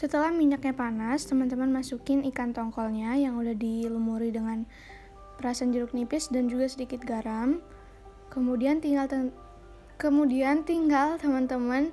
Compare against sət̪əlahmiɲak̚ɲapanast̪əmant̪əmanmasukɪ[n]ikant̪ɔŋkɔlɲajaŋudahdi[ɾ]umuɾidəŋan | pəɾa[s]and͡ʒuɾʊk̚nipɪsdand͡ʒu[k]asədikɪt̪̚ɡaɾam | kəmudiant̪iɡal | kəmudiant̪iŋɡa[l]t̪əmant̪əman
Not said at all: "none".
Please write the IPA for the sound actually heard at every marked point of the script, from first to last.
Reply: n, l, s, ɡ, l

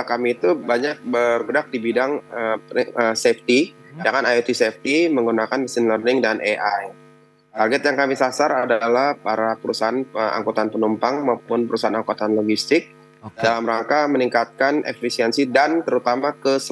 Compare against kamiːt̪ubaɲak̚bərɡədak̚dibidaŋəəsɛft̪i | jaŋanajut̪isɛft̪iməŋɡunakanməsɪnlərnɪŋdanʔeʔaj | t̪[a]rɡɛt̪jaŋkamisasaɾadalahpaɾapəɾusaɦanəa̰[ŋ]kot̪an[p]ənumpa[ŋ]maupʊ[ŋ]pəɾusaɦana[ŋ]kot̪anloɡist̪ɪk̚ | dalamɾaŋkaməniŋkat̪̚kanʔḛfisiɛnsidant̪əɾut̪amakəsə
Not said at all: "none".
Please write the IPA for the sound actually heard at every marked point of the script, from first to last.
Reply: a, ŋ, p, ŋ, n, ŋ

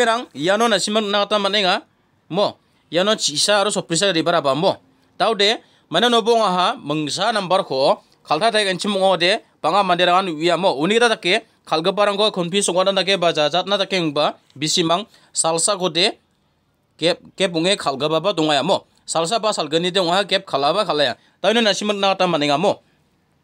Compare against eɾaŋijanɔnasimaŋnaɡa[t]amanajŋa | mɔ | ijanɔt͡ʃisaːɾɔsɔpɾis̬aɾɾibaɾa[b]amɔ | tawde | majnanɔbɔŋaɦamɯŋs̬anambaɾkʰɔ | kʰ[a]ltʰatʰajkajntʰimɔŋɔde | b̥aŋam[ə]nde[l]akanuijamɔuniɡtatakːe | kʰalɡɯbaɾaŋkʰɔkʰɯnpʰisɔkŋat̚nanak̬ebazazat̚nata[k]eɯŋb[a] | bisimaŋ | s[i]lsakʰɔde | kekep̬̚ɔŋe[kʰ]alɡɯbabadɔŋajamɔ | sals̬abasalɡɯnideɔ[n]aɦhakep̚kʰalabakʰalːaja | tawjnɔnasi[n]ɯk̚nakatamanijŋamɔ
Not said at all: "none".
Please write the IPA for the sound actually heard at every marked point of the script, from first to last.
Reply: t, b, a, a, ɾ, k, a, a, kʰ, ŋ, m

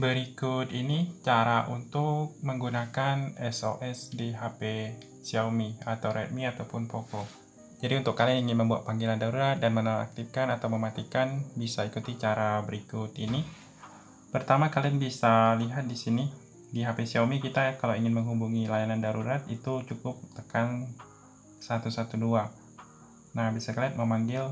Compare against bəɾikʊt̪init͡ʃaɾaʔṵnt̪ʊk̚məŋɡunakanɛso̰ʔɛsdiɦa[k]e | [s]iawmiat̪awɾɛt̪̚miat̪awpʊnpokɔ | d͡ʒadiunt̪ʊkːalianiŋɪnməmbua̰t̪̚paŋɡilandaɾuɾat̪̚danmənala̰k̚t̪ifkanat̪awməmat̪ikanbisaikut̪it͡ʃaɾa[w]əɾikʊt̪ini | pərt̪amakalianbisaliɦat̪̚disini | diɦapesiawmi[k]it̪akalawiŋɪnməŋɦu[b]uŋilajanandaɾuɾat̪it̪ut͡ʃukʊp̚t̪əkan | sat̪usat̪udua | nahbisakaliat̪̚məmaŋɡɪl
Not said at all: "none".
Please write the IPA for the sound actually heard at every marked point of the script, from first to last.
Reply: p, s, b, k, b

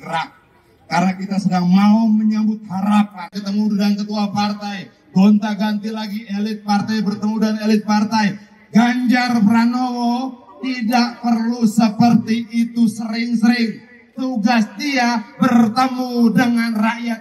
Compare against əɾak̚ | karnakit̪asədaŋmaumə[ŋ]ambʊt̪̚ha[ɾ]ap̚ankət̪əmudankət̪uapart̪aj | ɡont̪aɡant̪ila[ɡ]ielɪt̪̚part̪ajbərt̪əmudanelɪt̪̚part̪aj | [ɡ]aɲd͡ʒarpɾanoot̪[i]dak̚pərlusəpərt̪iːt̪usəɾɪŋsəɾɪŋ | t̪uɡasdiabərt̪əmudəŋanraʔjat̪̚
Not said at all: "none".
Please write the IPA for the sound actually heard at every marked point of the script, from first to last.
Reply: ɲ, ɾ, ɡ, ɡ, i

